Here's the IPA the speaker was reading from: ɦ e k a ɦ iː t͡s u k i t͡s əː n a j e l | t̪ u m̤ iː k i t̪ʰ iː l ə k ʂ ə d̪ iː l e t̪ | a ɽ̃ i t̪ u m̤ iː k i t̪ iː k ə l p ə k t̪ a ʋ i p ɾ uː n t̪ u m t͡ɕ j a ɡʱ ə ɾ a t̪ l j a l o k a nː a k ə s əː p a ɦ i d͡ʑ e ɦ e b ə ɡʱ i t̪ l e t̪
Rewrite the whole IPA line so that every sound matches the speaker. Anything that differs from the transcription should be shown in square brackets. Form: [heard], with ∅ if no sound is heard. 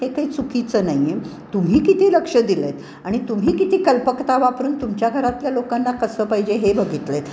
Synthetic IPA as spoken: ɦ e k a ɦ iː t͡s u k i t͡s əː n a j e [∅] | t̪ u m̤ iː k i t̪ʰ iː l ə k ʂ ə d̪ [i] l e t̪ | a ɽ̃ i t̪ u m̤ iː k i t̪ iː k ə l p ə k t̪ a ʋ [a] p ɾ uː n t̪ u m t͡ɕ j a ɡʱ ə ɾ a t̪ l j a l o k a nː a k ə s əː p a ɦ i d͡ʑ e ɦ e b ə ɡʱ i t̪ l e t̪